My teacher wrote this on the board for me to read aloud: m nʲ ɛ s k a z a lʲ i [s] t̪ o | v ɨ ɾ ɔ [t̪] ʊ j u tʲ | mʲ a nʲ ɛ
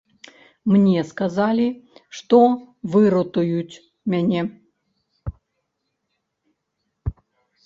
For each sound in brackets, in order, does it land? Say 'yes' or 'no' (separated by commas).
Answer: no, yes